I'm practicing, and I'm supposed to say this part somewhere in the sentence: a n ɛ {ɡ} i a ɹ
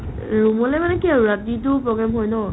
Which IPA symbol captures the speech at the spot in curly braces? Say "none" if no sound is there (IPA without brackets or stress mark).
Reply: k